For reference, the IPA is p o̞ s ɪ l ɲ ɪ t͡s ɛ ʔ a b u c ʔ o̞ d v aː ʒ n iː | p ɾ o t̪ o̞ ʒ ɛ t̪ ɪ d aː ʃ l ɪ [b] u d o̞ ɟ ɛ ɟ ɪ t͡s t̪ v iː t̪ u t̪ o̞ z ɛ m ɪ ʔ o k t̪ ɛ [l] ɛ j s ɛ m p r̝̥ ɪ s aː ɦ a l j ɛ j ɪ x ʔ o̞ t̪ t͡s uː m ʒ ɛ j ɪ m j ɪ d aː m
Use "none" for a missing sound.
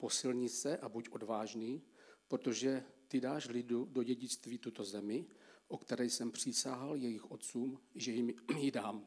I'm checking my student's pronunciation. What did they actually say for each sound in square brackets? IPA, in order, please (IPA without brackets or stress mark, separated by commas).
d, ɾ